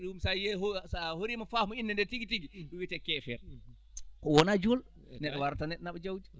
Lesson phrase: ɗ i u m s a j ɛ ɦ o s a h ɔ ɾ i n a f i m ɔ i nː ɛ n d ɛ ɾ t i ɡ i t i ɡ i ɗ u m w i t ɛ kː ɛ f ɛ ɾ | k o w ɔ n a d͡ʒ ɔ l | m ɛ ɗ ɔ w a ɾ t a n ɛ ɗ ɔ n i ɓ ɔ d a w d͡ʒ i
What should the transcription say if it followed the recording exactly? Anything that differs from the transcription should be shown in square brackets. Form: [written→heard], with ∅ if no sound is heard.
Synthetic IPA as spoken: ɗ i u m s a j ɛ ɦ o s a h [ɔ→o] ɾ i [n→m] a f [i→a] m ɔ i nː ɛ n d ɛ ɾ t i ɡ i t i ɡ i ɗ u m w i t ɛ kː ɛ f ɛ ɾ | k [o→ɔ] w ɔ n a d͡ʒ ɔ l | [m→n] ɛ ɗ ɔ w a ɾ t a n ɛ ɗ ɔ n [i→a] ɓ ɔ [d→d͡ʒ] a w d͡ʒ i